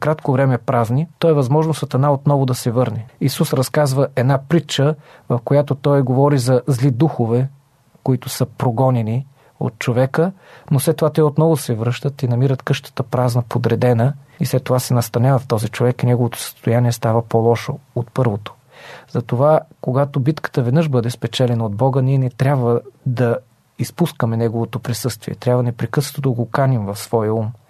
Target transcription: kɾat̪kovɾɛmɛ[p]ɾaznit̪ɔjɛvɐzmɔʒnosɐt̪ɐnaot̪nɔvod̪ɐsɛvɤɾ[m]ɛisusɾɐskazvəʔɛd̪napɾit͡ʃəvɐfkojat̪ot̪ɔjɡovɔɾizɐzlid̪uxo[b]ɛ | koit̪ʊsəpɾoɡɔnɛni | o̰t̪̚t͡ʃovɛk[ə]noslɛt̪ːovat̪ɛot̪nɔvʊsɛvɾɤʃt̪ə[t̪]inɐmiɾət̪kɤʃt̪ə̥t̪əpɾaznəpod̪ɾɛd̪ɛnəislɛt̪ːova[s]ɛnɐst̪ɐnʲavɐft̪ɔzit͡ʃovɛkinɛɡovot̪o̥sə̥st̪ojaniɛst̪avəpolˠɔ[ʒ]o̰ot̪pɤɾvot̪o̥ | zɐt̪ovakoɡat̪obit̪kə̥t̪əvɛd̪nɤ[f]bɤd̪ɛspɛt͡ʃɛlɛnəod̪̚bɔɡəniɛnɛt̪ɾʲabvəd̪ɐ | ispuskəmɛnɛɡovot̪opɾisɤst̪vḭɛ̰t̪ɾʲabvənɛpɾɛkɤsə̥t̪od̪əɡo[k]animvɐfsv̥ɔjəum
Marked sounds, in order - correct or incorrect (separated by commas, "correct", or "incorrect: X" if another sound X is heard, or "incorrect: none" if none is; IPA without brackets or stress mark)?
correct, incorrect: n, incorrect: v, correct, correct, correct, incorrect: ʃ, incorrect: ʃ, correct